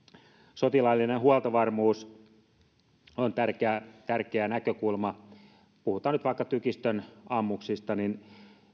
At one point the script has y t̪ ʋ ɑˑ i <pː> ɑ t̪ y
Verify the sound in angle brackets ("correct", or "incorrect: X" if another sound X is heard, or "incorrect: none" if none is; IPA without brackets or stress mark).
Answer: incorrect: kː